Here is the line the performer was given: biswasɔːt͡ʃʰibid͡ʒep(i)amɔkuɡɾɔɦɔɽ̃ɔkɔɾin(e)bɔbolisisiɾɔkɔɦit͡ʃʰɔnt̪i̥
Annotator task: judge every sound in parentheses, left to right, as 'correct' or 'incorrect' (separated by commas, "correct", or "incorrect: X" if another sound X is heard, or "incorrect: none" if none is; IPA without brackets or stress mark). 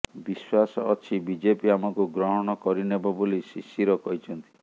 correct, correct